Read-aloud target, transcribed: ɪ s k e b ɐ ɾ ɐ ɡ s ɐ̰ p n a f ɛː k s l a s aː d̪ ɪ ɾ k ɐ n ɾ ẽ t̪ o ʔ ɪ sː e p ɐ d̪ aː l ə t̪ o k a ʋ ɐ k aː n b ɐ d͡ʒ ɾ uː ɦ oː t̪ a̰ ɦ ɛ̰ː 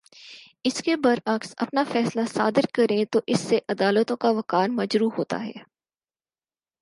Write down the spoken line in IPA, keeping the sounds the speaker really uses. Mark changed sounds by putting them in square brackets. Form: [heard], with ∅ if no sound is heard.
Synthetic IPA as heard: ɪ s k e b ɐ ɾ ɐ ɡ s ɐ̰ p n a f ɛː [∅] s l a s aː d̪ ɪ ɾ k ɐ [∅] ɾ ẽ t̪ o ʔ ɪ sː e [ʔ] ɐ d̪ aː l ə t̪ [õ] k a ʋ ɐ k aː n [m] ɐ d͡ʒ ɾ uː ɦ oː t̪ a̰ ɦ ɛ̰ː